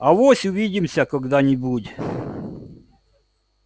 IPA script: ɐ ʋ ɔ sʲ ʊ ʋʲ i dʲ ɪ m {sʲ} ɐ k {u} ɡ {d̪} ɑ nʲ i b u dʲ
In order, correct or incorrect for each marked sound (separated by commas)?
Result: correct, incorrect, correct